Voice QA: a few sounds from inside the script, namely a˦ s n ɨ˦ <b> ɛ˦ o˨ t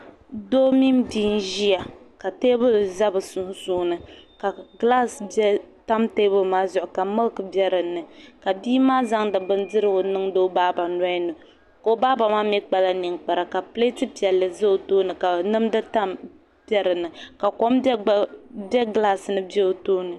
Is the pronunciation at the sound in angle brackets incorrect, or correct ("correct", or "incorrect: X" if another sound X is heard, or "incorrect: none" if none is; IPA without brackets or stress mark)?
correct